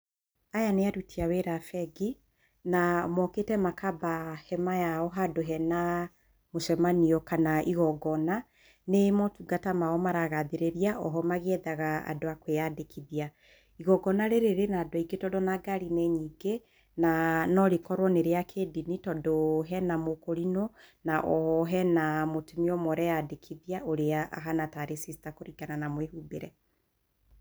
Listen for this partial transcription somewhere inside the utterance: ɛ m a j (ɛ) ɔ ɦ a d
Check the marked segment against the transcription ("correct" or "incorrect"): incorrect